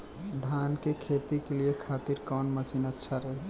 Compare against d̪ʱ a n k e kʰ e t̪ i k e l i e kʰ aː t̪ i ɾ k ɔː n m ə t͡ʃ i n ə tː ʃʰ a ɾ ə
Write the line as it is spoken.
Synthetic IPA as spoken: d̪ʱ a n k e kʰ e t̪ i k e l i e kʰ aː t̪ i ɾ k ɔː n m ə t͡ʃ i n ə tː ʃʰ a ɾ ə